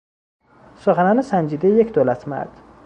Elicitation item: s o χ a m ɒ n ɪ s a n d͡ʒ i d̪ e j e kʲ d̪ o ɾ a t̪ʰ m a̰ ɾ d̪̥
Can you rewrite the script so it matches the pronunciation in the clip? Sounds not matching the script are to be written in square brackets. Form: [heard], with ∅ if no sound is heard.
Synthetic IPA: s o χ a [n] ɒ n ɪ s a n d͡ʒ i d̪ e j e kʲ d̪ o [l] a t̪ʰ m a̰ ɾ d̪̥